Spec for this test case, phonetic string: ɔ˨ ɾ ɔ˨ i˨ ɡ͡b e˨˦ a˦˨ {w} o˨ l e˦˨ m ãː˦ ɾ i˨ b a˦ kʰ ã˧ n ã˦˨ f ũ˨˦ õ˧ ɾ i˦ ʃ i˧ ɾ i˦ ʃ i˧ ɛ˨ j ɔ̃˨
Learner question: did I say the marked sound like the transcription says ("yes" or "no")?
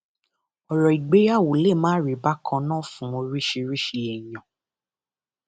yes